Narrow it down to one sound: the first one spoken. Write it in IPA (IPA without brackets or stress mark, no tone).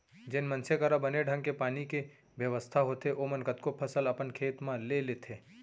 d͡ʒ